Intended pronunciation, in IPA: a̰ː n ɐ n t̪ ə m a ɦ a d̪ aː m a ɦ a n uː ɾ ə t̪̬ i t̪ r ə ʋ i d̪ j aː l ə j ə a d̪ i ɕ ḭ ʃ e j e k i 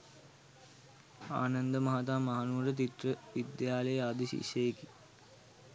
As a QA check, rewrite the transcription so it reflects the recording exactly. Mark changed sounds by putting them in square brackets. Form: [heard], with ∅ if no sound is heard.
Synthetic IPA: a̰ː n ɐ n [d̪] ə m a ɦ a [t̪] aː m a ɦ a n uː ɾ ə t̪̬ i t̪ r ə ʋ i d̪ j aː l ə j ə a d̪ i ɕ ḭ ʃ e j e k i